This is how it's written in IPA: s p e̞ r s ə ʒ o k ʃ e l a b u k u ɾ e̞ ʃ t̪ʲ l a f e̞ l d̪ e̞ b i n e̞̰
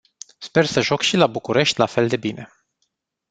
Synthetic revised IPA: s p e̞ r s ə ʒ o k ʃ i l a b u k u ɾ e̞ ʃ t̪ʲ l a f e̞ l d̪ e̞ b i n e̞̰